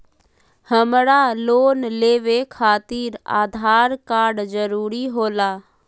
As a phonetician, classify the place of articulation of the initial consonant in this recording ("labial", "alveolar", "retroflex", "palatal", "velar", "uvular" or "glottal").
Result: glottal